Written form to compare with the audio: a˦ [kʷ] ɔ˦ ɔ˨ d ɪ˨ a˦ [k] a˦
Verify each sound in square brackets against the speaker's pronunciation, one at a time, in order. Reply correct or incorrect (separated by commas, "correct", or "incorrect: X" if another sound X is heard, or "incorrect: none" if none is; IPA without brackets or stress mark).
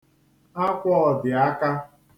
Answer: correct, correct